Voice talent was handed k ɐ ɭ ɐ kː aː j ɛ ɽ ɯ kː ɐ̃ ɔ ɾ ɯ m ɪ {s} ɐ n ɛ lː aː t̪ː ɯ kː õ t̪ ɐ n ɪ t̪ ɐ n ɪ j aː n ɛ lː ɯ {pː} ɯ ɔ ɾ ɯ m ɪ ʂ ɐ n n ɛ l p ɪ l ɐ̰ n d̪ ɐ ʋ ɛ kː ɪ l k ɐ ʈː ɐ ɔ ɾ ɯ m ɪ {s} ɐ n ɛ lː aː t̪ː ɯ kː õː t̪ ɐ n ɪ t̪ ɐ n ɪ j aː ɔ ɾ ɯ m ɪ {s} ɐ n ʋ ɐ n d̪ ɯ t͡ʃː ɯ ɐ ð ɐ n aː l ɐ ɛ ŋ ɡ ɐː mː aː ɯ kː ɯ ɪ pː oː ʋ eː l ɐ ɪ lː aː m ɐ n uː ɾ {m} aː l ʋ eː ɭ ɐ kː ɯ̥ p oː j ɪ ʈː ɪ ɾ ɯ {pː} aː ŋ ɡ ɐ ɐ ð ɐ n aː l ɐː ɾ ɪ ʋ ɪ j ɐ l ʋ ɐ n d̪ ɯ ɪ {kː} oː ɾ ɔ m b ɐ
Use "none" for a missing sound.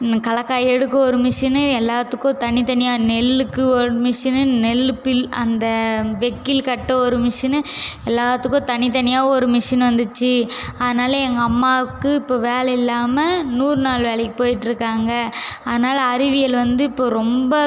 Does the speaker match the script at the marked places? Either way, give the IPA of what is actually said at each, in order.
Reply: ʂ, kː, ʂ, ʂ, n, kː, pː

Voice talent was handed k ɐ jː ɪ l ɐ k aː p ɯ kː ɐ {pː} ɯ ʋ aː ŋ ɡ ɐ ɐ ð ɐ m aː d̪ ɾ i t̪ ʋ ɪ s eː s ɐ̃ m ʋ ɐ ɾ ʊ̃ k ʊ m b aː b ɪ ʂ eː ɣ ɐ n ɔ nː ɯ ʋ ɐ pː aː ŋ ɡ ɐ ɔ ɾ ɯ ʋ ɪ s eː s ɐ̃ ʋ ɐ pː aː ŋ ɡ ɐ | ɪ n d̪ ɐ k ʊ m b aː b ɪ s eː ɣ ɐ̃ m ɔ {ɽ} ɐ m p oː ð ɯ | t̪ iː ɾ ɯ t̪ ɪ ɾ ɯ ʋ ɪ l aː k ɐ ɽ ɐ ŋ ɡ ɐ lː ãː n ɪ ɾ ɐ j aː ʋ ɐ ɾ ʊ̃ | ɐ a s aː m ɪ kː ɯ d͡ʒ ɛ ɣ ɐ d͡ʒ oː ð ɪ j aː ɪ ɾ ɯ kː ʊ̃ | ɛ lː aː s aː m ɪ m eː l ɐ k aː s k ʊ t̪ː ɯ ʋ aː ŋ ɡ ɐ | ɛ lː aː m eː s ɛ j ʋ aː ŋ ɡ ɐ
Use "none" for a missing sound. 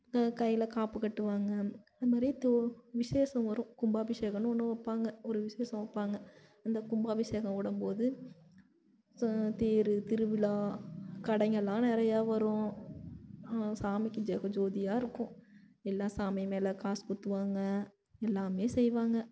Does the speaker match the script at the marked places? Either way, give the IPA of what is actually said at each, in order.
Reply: ʈː, ɽ

